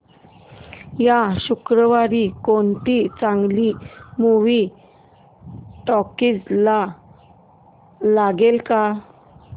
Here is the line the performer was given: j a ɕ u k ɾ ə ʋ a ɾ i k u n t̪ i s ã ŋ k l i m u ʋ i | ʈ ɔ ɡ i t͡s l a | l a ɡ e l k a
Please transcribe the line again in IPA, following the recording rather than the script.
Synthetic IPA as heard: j a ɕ u k ɾ ə ʋ a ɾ i k o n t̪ i t͡s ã ŋ ɡ l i m u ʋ i | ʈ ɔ k i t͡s l a | l a ɡ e l k a